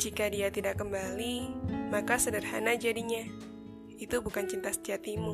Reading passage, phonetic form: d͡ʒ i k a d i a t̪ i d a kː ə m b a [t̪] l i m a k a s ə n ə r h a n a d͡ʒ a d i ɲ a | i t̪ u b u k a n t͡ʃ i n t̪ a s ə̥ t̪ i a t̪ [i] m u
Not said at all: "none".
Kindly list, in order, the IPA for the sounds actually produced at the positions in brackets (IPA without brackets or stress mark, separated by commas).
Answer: none, i